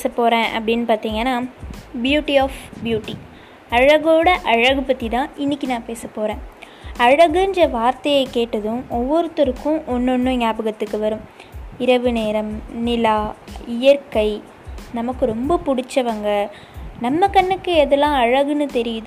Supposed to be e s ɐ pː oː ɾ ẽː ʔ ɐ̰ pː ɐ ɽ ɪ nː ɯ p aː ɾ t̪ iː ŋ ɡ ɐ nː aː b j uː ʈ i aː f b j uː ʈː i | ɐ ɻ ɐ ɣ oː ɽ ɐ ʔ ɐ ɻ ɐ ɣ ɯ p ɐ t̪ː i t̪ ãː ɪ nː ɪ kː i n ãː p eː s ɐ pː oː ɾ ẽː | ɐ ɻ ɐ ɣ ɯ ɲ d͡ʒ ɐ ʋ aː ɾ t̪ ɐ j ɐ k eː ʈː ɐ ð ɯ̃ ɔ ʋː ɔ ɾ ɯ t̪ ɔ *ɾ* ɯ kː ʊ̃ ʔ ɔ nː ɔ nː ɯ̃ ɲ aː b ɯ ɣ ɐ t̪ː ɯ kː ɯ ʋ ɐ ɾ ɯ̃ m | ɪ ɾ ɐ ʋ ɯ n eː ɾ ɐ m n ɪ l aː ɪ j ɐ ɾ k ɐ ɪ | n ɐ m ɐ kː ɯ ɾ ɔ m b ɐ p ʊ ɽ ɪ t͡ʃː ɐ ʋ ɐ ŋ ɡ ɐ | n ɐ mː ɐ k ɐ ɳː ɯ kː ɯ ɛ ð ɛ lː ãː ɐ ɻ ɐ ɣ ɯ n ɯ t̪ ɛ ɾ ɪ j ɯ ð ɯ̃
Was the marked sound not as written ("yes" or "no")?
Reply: no